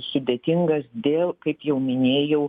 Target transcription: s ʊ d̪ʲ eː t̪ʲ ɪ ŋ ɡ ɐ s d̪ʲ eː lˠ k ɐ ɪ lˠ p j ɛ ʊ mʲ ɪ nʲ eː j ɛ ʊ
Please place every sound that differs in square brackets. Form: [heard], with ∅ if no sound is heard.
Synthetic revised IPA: s ʊ d̪ʲ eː t̪ʲ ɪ ŋ ɡ ɐ s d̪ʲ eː lˠ k ɐ ɪ [∅] p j ɛ ʊ mʲ ɪ nʲ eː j ɛ ʊ

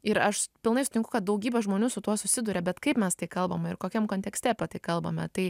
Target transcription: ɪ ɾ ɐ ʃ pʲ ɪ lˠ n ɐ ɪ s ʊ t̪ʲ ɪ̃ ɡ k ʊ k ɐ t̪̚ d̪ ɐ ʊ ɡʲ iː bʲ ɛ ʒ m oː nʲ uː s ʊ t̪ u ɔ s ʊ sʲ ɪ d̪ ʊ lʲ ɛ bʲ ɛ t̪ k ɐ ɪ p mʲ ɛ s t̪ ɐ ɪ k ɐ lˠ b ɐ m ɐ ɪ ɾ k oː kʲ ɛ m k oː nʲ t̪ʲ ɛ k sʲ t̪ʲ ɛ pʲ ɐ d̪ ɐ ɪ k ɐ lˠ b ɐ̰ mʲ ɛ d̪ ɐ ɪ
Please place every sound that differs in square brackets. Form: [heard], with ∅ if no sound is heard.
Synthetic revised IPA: ɪ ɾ ɐ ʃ pʲ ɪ lˠ n ɐ ɪ s ʊ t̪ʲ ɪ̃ [ŋ] k ʊ k ɐ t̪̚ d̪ ɐ ʊ ɡʲ iː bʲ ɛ ʒ m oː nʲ uː s ʊ t̪ u ɔ s ʊ sʲ ɪ d̪ ʊ [ɾʲ] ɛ bʲ ɛ t̪ k ɐ ɪ p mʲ ɛ s t̪ ɐ ɪ k ɐ lˠ b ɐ m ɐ ɪ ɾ k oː kʲ ɛ m k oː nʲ t̪ʲ ɛ k sʲ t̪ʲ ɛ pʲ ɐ [t̪] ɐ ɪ k ɐ lˠ b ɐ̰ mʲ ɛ [t̪] ɐ ɪ

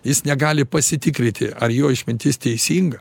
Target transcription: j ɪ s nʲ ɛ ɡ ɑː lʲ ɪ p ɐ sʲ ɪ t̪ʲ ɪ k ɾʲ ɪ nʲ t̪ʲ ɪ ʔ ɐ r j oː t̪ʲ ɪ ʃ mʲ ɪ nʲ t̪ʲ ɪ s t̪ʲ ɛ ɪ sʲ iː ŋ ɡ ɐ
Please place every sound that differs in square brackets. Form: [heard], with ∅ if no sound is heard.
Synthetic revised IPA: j ɪ s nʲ ɛ ɡ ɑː lʲ ɪ p ɐ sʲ ɪ t̪ʲ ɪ k ɾʲ ɪ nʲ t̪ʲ ɪ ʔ ɐ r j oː [∅] ɪ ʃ mʲ ɪ nʲ t̪ʲ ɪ s t̪ʲ ɛ ɪ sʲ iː ŋ ɡ ɐ

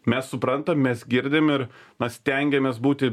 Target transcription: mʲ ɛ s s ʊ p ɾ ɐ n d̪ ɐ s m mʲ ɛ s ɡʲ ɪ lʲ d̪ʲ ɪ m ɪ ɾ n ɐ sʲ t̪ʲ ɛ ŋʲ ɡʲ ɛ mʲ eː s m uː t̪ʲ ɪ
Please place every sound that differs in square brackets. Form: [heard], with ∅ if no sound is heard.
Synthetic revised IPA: mʲ ɛ s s ʊ p ɾ ɐ n [t̪] ɐ [∅] m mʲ ɛ s ɡʲ ɪ [ɾʲ] d̪ʲ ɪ m ɪ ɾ n ɐ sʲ t̪ʲ ɛ ŋʲ ɡʲ ɛ mʲ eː s [b] uː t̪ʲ ɪ

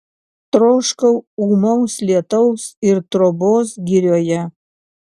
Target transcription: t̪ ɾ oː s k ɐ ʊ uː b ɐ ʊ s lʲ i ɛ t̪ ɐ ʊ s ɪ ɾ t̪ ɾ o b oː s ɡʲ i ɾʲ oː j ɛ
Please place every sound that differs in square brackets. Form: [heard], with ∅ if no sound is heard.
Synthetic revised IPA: t̪ ɾ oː [ʃ] k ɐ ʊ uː [m] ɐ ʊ s lʲ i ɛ t̪ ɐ ʊ s ɪ ɾ t̪ ɾ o b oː s ɡʲ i ɾʲ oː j ɛ

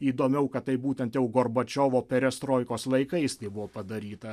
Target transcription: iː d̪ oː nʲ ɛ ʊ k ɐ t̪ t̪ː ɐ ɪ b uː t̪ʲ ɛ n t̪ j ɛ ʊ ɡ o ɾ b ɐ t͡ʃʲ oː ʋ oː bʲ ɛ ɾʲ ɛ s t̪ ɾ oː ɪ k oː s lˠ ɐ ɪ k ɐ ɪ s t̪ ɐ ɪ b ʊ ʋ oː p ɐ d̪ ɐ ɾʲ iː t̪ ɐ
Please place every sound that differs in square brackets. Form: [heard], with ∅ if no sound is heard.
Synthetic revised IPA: iː d̪ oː [mʲ] ɛ ʊ k ɐ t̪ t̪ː ɐ ɪ b uː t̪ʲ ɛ n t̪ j ɛ ʊ ɡ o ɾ b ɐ t͡ʃʲ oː ʋ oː [pʲ] ɛ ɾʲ ɛ s t̪ ɾ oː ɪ k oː s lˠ ɐ ɪ k ɐ ɪ s t̪ ɐ ɪ b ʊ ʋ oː p ɐ d̪ ɐ ɾʲ iː t̪ ɐ

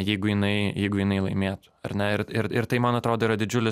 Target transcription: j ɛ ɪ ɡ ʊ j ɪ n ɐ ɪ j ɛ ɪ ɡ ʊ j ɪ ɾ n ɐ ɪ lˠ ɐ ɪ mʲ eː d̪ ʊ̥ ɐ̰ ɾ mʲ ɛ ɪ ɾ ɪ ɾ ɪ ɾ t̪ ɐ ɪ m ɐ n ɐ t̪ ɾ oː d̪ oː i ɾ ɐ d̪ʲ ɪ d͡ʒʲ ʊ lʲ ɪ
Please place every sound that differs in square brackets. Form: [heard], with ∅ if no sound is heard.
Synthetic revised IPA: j ɛ ɪ ɡ ʊ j ɪ n ɐ ɪ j ɛ ɪ ɡ ʊ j ɪ [∅] n ɐ ɪ lˠ ɐ ɪ mʲ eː [t̪] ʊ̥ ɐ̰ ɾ [nʲ] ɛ ɪ ɾ ɪ ɾ ɪ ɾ t̪ ɐ ɪ m ɐ n ɐ t̪ ɾ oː d̪ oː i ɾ ɐ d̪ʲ ɪ d͡ʒʲ ʊ lʲ ɪ

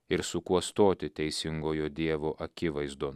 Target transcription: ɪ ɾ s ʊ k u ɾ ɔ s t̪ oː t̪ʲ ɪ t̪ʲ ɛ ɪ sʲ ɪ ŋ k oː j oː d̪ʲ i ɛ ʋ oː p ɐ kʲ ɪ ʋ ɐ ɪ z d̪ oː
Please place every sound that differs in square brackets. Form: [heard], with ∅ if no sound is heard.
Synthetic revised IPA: ɪ ɾ s ʊ k u [∅] ɔ s t̪ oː t̪ʲ ɪ t̪ʲ ɛ ɪ sʲ ɪ ŋ [ɡ] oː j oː d̪ʲ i ɛ ʋ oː [ʔ] ɐ kʲ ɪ ʋ ɐ ɪ z d̪ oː

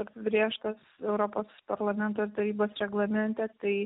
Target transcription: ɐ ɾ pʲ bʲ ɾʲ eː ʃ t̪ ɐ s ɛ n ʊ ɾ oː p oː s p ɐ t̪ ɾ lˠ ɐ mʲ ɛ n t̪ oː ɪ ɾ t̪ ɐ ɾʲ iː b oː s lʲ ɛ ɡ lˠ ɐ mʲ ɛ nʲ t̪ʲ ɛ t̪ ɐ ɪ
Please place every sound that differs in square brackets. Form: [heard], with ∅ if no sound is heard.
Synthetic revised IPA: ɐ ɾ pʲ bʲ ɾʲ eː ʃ t̪ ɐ s ɛ [∅] ʊ ɾ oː p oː s p ɐ [∅] ɾ lˠ ɐ mʲ ɛ n t̪ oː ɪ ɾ t̪ ɐ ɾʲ iː b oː s [ɾʲ] ɛ ɡ lˠ ɐ mʲ ɛ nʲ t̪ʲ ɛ t̪ ɐ ɪ

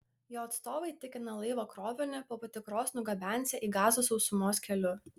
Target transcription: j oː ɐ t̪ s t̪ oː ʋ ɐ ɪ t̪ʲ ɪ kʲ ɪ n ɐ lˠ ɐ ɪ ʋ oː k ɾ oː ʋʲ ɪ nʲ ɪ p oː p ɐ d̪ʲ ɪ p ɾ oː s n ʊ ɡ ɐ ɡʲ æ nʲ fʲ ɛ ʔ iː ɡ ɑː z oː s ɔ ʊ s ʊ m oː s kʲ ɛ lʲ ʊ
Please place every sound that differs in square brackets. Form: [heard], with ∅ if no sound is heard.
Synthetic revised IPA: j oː ɐ t̪ s t̪ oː ʋ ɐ ɪ t̪ʲ ɪ kʲ ɪ n ɐ lˠ ɐ ɪ ʋ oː k ɾ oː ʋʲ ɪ nʲ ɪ p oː p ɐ [t̪ʲ] ɪ [k] ɾ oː s n ʊ ɡ ɐ [bʲ] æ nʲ [sʲ] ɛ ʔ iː ɡ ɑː z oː s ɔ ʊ s ʊ m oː s kʲ ɛ lʲ ʊ

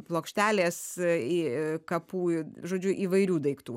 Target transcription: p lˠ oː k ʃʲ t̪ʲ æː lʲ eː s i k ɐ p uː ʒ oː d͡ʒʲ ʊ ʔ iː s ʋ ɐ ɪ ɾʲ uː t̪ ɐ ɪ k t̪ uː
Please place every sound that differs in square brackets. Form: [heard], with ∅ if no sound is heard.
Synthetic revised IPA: p lˠ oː k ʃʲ t̪ʲ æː lʲ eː s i k ɐ p uː ʒ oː d͡ʒʲ ʊ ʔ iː [∅] ʋ ɐ ɪ ɾʲ uː [d̪] ɐ ɪ k t̪ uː

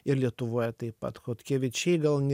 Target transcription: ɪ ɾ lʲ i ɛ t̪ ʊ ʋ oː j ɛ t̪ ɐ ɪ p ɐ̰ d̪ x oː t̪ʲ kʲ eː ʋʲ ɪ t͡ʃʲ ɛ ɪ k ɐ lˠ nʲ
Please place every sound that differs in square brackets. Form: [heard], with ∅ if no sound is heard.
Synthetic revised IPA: ɪ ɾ lʲ i ɛ t̪ ʊ ʋ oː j ɛ t̪ ɐ ɪ p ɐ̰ [t̪] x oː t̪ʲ kʲ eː ʋʲ ɪ t͡ʃʲ ɛ ɪ [ɡ] ɐ lˠ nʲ

